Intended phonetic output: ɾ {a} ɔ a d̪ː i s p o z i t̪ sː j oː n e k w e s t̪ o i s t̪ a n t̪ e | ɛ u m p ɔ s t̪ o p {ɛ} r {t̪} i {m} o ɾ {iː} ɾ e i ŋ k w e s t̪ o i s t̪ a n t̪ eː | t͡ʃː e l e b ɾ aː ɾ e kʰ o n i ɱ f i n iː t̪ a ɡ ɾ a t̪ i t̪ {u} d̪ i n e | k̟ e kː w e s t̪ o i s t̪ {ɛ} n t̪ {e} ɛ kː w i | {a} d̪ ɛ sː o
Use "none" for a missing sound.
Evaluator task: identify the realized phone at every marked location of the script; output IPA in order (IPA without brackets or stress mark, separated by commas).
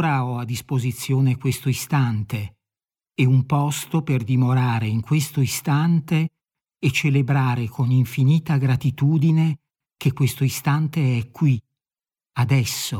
a, e, d̪, m, aː, uː, a, e, a